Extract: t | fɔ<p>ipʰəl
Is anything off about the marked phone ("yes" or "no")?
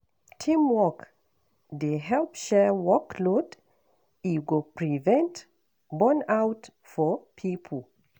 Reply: yes